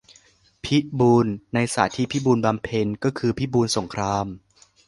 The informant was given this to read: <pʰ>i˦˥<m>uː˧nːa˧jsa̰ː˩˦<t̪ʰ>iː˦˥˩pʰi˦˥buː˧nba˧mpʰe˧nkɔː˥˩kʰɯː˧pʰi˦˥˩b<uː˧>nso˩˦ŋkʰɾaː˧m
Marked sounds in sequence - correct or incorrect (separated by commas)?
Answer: correct, incorrect, correct, correct